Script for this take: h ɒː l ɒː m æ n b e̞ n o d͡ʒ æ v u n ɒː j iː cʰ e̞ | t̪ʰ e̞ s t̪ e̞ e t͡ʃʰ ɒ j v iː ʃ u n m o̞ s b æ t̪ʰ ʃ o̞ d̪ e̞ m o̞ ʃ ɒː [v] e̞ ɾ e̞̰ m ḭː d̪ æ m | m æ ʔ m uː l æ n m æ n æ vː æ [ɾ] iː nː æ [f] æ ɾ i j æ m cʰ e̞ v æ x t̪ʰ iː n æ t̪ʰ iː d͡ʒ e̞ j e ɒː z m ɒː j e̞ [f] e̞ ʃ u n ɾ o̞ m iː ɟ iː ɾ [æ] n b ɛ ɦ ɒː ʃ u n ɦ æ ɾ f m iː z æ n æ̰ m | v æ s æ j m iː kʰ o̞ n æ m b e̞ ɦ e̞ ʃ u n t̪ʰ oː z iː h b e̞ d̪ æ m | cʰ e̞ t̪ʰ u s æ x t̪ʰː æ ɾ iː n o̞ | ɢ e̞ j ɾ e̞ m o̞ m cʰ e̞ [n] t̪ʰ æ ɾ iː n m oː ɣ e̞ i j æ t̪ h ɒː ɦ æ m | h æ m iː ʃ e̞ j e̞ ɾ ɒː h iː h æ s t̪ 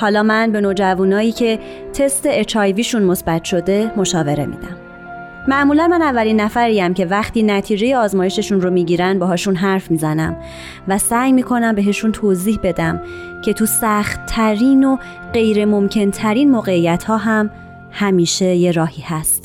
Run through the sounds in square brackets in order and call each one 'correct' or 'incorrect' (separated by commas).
correct, incorrect, correct, incorrect, correct, correct